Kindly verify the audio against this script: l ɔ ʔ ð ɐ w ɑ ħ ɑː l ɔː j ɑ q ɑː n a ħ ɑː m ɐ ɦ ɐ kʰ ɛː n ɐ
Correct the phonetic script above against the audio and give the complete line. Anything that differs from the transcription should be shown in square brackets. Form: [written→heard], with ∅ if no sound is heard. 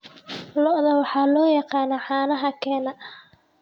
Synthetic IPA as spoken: l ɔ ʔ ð ɐ w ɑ ħ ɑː l ɔː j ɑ q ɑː n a ħ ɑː [m→n] ɐ ɦ ɐ kʰ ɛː n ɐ